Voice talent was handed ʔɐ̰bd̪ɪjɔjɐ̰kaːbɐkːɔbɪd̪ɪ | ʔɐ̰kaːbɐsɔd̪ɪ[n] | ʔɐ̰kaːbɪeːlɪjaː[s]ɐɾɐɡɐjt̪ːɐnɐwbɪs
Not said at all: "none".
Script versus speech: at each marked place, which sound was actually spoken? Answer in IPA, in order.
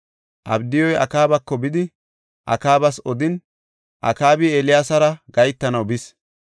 n, s

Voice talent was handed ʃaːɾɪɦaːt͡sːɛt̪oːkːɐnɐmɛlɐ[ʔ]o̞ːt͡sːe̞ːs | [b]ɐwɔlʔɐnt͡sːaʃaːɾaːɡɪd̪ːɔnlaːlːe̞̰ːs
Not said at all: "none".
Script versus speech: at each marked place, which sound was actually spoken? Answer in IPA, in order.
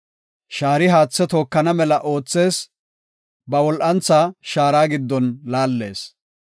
ʔ, b

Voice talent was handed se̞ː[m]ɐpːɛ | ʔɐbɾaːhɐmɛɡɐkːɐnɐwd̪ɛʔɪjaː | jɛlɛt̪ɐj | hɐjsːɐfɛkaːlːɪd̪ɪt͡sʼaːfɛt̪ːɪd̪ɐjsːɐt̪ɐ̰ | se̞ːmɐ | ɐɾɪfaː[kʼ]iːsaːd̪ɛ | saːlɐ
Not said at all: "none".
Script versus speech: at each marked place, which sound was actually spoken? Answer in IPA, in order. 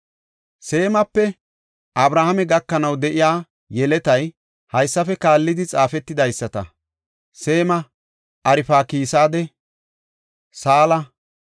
m, k

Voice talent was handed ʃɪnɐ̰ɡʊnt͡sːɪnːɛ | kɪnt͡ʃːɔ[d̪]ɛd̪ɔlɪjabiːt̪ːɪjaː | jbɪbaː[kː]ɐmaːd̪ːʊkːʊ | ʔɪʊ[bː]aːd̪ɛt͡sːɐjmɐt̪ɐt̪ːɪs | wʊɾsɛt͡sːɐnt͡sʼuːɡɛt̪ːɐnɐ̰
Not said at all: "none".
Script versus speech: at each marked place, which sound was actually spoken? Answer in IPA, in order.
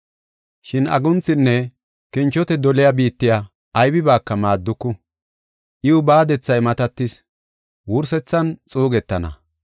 t̪, kː, b

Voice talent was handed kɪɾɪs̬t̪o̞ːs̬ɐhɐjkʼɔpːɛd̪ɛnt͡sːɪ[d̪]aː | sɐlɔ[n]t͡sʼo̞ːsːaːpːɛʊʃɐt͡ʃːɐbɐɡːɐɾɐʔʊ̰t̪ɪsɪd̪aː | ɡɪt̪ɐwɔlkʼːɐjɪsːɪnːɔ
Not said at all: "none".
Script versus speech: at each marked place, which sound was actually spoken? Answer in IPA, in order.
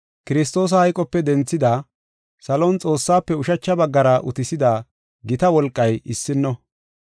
d̪, n

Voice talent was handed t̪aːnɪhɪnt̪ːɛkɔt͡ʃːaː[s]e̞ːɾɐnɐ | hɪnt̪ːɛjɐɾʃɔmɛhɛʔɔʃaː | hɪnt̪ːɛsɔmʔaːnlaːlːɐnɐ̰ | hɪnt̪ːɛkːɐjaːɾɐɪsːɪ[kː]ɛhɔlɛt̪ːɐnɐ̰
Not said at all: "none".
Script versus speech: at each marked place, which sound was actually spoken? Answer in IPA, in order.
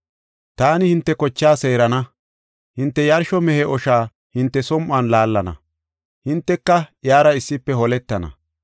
s, pː

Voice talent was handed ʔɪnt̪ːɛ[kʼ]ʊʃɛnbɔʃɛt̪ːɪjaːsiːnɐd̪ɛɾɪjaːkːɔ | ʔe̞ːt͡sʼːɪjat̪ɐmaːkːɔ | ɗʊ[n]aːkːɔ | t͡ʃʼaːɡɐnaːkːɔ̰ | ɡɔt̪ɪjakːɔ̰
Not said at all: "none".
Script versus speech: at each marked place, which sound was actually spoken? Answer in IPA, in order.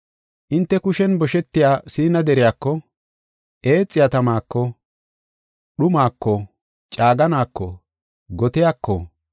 k, m

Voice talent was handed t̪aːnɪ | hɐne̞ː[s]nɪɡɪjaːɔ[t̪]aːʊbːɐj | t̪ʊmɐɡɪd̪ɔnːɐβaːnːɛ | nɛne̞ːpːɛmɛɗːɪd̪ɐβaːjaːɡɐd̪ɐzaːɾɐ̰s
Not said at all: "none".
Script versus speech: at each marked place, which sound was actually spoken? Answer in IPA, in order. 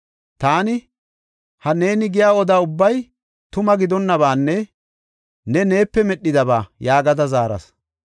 none, d̪

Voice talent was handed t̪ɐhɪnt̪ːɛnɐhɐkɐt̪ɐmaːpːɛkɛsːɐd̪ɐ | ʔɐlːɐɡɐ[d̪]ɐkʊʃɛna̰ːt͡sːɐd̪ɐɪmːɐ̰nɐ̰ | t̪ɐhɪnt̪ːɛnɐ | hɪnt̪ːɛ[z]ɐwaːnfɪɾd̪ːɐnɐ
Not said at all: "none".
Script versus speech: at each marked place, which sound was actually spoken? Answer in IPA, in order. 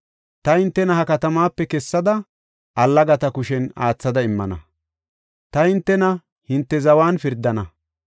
t̪, z

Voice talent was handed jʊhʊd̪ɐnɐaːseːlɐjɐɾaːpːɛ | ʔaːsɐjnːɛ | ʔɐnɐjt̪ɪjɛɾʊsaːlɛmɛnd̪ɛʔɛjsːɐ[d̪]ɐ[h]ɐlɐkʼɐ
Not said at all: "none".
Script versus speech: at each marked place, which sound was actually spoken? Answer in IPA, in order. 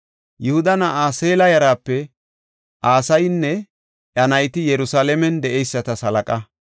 t̪, s

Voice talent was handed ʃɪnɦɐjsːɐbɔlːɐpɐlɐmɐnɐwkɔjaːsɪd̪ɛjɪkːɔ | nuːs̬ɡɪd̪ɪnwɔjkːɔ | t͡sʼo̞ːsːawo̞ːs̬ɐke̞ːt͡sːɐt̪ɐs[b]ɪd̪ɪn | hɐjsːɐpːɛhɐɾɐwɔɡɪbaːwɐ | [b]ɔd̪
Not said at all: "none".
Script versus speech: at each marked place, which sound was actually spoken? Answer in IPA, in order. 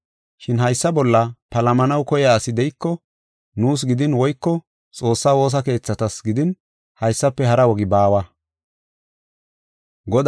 ɡ, ɡ

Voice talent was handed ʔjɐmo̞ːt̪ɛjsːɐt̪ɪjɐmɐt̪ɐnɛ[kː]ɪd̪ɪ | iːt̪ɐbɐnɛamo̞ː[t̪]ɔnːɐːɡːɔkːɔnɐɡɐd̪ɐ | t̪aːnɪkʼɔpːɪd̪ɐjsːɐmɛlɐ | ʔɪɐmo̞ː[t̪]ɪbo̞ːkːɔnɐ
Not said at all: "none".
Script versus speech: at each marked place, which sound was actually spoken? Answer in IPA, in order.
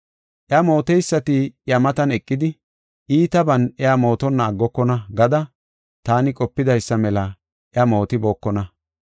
kʼː, t̪, t̪

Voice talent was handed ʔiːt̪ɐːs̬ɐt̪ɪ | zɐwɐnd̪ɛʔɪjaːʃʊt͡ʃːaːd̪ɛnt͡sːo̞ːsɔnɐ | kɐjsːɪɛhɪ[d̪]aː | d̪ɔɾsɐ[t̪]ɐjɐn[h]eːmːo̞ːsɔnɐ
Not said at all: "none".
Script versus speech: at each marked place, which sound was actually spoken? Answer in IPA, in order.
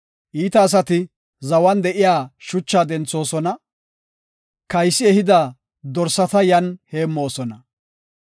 d̪, t̪, h

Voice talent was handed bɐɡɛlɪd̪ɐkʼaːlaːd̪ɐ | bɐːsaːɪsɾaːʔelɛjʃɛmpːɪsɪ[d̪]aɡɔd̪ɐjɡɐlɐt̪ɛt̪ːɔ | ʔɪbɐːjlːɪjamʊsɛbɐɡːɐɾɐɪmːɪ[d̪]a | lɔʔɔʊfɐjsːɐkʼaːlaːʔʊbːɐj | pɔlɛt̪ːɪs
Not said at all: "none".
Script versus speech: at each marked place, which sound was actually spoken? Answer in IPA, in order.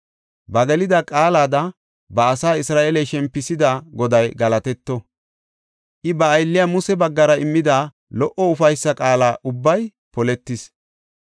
d̪, d̪

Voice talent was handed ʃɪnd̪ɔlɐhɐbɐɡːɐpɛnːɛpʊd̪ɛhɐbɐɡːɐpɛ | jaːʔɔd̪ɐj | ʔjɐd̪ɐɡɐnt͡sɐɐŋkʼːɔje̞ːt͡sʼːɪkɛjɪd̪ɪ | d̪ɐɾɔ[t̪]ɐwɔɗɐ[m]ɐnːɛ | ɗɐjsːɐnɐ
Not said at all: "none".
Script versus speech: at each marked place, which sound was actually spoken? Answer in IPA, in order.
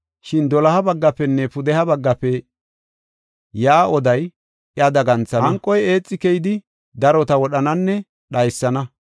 t̪, n

